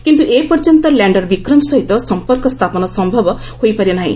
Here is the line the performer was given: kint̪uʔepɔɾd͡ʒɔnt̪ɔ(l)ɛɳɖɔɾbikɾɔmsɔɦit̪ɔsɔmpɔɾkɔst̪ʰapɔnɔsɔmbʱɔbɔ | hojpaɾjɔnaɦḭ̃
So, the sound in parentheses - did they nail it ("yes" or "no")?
yes